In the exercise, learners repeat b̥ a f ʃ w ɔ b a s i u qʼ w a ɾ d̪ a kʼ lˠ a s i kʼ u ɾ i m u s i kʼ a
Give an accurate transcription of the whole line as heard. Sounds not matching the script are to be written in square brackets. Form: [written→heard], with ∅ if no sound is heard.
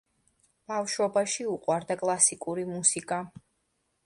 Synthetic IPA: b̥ a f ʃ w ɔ b a [s→ʃ] i u qʼ w a ɾ d̪ a kʼ lˠ a s i kʼ u ɾ i m u s i kʼ a